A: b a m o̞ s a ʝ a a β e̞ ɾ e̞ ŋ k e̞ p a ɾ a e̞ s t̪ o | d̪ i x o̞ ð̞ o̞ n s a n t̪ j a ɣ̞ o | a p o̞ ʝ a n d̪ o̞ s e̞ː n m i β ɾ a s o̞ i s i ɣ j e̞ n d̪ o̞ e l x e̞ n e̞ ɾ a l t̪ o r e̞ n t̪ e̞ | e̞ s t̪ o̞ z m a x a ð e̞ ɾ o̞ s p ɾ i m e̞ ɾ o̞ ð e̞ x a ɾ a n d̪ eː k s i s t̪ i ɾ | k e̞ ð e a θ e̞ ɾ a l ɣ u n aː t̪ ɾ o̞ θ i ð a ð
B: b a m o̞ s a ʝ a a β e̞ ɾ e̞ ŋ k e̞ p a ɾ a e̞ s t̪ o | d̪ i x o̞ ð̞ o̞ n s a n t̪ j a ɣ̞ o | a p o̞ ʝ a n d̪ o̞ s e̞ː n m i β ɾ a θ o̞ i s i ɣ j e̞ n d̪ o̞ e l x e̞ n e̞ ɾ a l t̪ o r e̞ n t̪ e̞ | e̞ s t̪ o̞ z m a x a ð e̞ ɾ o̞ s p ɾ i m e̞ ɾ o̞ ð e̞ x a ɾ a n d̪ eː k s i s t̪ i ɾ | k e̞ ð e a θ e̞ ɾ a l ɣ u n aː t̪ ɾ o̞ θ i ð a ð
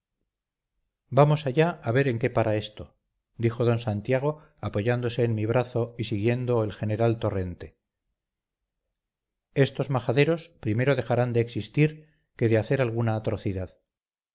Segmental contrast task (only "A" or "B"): B